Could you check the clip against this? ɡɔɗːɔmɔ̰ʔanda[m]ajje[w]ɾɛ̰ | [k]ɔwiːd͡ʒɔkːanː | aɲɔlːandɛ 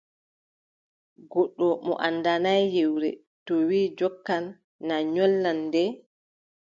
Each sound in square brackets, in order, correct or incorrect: incorrect: n, correct, incorrect: t

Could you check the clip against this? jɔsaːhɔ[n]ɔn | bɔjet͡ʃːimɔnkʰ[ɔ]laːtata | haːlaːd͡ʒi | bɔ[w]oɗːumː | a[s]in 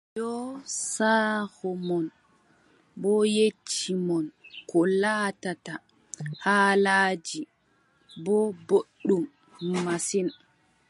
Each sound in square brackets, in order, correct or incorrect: incorrect: m, correct, incorrect: b, correct

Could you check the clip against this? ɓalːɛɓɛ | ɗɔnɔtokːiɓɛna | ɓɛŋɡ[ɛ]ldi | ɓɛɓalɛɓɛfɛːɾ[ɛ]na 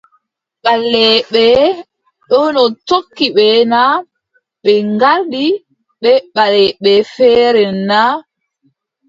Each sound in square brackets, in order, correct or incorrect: incorrect: a, correct

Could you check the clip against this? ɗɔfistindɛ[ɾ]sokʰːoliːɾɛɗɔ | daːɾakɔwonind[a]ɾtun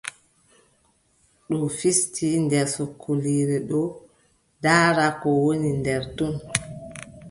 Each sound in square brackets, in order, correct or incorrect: correct, incorrect: ɛ

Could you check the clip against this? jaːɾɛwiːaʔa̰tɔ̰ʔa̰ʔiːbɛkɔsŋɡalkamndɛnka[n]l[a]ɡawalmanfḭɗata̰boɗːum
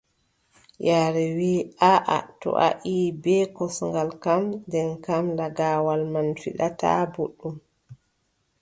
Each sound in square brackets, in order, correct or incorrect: incorrect: m, correct

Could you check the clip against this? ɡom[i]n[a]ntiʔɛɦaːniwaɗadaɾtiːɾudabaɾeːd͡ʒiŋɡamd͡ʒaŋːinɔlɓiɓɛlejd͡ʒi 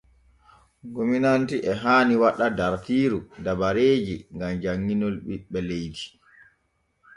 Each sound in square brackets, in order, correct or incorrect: correct, correct

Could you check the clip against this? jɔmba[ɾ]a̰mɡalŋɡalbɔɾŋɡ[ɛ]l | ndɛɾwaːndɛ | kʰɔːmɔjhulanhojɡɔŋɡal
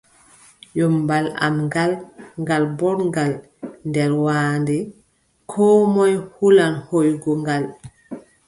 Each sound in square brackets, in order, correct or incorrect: incorrect: l, incorrect: a

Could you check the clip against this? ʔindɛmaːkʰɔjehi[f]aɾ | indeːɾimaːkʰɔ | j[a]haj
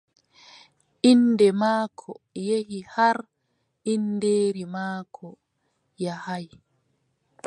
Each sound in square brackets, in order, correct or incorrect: incorrect: h, correct

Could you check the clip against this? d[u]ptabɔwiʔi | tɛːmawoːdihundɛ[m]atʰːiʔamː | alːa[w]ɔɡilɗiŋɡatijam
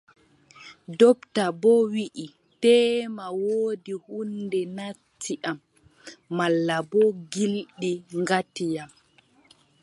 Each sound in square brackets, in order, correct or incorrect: incorrect: ɔ, incorrect: n, incorrect: b

